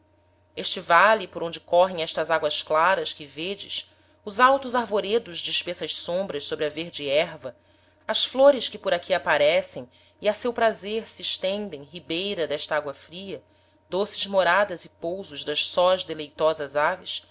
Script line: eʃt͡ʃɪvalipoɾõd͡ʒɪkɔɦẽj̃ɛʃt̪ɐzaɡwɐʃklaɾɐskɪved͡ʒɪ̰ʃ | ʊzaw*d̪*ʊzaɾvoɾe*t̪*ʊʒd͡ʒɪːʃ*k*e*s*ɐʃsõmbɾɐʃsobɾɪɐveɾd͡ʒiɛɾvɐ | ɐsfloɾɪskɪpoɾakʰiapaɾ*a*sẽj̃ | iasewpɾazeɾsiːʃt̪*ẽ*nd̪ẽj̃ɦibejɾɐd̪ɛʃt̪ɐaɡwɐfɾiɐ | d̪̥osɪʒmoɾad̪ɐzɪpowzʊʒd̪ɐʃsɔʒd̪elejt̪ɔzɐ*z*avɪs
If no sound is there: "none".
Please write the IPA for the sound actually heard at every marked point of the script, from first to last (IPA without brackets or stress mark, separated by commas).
t̪, d̪, p, s, ɛ, ẽ, z